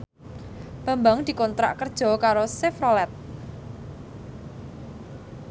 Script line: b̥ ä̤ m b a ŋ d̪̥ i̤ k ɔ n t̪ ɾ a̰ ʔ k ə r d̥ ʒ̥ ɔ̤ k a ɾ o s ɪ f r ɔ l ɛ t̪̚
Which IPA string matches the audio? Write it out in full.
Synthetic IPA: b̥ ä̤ m b a ŋ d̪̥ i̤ k ɔ n t̪ ɾ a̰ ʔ k ə r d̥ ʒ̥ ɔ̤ k a ɾ o s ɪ f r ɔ l ɛ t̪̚